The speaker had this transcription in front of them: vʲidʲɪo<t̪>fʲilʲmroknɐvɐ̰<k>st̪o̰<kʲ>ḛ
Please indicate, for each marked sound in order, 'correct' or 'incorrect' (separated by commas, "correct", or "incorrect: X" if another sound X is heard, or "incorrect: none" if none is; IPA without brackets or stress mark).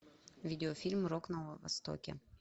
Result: incorrect: none, incorrect: none, correct